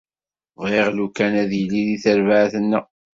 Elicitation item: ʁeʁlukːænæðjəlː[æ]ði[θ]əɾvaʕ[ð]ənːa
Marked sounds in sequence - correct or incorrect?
incorrect: i, correct, incorrect: θ

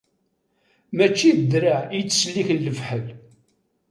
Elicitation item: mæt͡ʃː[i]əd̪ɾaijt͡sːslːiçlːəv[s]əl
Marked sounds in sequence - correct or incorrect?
correct, incorrect: ħ

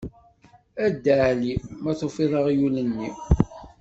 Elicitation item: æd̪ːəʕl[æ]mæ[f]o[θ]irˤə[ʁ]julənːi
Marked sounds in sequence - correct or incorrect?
incorrect: i, incorrect: θ, incorrect: f, correct

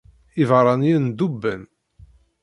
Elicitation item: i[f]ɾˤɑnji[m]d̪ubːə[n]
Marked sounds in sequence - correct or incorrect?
incorrect: v, incorrect: n, correct

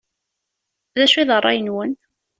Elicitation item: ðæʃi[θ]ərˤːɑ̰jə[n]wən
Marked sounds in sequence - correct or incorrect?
incorrect: ð, correct

